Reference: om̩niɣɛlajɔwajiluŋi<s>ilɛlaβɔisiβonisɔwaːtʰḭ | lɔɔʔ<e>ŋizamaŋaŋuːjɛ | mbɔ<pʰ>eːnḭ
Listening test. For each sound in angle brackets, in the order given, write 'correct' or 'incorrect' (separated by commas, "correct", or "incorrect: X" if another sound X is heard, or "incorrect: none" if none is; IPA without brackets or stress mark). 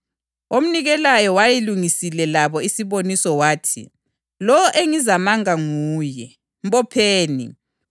correct, correct, correct